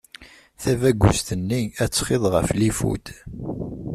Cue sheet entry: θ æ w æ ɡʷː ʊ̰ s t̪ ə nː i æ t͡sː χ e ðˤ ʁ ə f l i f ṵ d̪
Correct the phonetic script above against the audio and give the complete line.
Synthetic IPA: θ æ v æ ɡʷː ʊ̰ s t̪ ə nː i æ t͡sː χ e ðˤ ʁ ə f l i f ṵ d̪